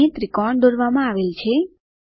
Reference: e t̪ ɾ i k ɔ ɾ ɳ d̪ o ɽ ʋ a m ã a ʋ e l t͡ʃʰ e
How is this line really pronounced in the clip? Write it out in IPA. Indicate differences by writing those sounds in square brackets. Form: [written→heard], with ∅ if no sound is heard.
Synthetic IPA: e t̪ ɾ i k ɔ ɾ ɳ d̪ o [ɽ→ɾ] ʋ a m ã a ʋ e l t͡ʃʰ e

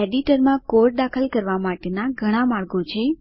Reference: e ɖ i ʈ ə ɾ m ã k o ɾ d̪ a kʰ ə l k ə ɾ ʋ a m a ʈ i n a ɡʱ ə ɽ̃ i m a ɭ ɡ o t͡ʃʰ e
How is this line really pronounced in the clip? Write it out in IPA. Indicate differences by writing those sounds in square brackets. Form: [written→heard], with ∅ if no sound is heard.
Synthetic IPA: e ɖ i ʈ ə ɾ m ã k o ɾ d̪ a kʰ ə l k ə ɾ ʋ a m a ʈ [i→e] n a ɡʱ ə ɽ̃ [i→a] m a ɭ ɡ o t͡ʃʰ e

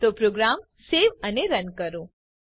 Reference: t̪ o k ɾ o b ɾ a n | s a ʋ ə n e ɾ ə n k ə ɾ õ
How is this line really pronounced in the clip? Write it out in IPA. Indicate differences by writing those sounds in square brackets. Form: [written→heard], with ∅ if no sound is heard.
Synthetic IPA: t̪ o [k→p] ɾ o [b→ɡ] ɾ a [n→m] | s [a→e] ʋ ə n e ɾ ə n k ə ɾ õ

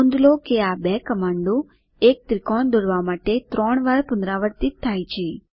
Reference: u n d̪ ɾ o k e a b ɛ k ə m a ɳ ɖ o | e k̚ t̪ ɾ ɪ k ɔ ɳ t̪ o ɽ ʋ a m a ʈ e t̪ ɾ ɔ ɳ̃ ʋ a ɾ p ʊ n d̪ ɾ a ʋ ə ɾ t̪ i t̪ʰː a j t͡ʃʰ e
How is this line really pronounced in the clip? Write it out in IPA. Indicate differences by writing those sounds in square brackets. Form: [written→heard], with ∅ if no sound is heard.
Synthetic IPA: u n d̪ [ɾ→l] o k e a b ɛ k ə m a ɳ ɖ o | e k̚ t̪ ɾ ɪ k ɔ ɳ [t̪→d̪] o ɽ ʋ a m a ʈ e t̪ ɾ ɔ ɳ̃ ʋ a ɾ p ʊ n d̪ ɾ a ʋ ə ɾ t̪ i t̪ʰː a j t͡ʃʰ e

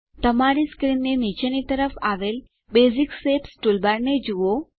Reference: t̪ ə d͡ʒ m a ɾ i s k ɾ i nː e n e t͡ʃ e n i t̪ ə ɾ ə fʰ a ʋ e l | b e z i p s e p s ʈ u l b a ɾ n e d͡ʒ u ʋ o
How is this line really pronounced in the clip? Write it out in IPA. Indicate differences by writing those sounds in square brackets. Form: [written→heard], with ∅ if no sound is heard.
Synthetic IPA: t̪ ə [d͡ʒ→∅] m a ɾ i s k ɾ i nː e n [e→i] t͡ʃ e n i t̪ ə ɾ ə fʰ a ʋ e l | b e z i [p→k] s e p s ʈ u l b a ɾ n e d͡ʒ u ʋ o

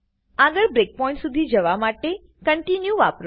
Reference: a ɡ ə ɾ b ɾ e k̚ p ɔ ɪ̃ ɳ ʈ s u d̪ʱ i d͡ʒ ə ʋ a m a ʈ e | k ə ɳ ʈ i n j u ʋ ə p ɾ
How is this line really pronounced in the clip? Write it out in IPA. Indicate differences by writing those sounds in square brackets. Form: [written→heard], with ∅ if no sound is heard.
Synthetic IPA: a ɡ ə ɾ b ɾ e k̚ p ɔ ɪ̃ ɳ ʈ s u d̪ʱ i d͡ʒ ə ʋ a m a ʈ e | k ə ɳ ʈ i n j u ʋ [ə→a] p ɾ

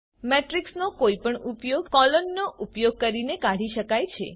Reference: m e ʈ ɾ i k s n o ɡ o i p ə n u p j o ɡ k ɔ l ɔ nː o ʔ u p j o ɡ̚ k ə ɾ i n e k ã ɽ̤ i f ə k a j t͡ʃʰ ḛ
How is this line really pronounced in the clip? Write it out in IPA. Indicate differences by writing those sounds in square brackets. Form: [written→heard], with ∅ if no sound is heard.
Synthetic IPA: m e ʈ ɾ i k s n o [ɡ→k] o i p ə [n→ɳ] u p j o ɡ k ɔ l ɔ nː o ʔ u p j o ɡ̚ k ə ɾ i n e k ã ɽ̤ i [f→ʃ] ə k a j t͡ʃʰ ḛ

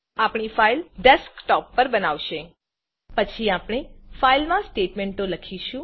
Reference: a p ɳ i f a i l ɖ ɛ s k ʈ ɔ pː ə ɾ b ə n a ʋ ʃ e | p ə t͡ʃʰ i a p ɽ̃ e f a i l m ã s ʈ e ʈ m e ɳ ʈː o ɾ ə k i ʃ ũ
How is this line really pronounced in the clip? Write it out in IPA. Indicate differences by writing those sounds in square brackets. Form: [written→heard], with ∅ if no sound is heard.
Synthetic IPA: a p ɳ i f a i l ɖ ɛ s k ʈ ɔ pː ə ɾ b ə n a ʋ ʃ e | p ə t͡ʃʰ i a p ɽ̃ e f a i l m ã s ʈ e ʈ m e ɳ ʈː o [ɾ→l] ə [k→kʰ] i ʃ ũ

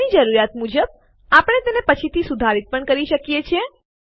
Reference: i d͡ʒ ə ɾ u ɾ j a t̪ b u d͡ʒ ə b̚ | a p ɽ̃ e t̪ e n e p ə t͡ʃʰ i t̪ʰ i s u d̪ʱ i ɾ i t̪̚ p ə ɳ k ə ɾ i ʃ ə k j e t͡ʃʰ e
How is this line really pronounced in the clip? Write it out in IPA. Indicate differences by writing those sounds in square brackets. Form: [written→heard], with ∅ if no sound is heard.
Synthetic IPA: i d͡ʒ ə ɾ u ɾ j a t̪ [b→m] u d͡ʒ ə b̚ | a p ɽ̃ e t̪ e n e p ə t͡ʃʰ i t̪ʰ i s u d̪ʱ [i→a] ɾ i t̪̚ p ə ɳ k ə ɾ i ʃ ə k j e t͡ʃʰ e

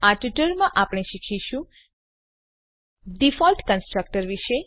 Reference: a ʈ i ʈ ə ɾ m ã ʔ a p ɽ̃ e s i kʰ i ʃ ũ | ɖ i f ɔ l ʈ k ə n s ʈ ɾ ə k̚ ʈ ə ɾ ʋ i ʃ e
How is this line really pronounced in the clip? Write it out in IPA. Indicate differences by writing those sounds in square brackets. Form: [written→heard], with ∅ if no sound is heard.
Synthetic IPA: a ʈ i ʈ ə ɾ m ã ʔ a p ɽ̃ e [s→ʃ] i kʰ i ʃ ũ | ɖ i f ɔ l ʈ k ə n s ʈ ɾ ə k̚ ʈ ə ɾ ʋ i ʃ e

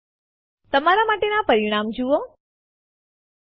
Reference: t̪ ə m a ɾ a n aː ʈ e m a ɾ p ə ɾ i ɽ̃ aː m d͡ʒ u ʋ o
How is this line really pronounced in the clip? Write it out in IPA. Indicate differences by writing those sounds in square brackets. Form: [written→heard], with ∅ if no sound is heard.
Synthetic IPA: t̪ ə m a ɾ a [n→m] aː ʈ e [m→n] a [ɾ→∅] p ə ɾ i ɽ̃ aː m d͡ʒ u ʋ o

